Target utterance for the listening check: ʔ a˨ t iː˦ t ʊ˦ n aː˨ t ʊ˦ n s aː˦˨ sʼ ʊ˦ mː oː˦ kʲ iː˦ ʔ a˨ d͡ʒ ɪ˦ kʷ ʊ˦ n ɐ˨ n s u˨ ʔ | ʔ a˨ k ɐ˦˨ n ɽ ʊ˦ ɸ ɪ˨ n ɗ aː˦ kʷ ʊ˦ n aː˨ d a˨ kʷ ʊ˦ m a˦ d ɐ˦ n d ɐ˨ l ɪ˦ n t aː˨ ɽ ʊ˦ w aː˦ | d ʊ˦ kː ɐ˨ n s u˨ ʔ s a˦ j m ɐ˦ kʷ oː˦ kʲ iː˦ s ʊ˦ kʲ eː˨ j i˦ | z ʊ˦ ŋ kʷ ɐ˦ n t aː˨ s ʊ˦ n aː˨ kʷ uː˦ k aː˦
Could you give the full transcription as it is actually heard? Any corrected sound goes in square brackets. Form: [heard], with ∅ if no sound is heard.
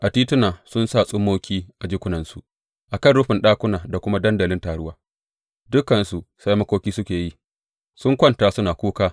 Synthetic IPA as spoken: ʔ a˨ t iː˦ t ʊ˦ n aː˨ [s] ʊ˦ n s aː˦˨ sʼ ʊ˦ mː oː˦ kʲ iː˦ ʔ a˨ d͡ʒ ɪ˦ kʷ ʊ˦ n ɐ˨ n s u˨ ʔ | ʔ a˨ k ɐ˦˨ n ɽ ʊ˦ ɸ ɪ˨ n ɗ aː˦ kʷ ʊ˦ n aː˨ d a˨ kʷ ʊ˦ m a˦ d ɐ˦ n d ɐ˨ l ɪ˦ n t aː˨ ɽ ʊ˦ w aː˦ | d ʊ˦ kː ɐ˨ n s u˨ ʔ s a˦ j m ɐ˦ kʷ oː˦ kʲ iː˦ s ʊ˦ kʲ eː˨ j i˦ | [s] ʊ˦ ŋ kʷ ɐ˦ n t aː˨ s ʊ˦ n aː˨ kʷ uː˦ k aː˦